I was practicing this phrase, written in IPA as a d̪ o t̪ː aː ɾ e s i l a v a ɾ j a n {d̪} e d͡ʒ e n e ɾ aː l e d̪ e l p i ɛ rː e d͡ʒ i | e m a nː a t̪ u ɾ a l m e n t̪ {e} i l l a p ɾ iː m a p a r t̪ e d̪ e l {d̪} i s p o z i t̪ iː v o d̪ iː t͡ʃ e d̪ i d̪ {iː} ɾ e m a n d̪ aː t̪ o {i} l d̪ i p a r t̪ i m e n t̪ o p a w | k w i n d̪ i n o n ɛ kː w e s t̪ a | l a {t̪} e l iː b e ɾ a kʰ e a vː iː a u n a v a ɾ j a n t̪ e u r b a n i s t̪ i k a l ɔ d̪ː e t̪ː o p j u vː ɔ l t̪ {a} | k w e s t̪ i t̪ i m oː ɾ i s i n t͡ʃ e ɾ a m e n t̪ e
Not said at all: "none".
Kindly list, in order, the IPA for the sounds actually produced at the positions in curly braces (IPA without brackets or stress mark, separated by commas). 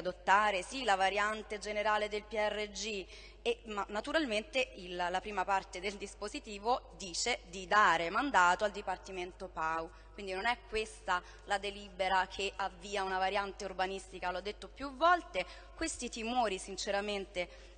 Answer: t̪, e, d̪, aː, a, d̪, e